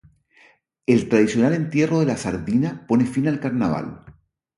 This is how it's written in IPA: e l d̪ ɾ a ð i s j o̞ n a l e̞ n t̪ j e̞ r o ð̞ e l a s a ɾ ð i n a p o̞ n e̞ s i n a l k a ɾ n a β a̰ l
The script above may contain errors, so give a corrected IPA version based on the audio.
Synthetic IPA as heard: e l t̪ ɾ a ð i s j o̞ n a l e̞ n t̪ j e̞ r o ð̞ e l a s a ɾ ð i n a p o̞ n e̞ f i n a l k a ɾ n a β a̰ l